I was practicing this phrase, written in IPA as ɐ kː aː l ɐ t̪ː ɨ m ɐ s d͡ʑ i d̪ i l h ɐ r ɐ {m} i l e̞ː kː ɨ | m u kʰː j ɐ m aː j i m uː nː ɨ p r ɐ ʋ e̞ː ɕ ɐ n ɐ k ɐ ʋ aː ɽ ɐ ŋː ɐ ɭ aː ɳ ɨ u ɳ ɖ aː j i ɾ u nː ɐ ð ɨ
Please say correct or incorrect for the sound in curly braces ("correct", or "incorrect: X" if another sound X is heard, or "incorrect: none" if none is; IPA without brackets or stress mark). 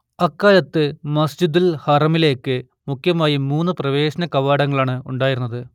correct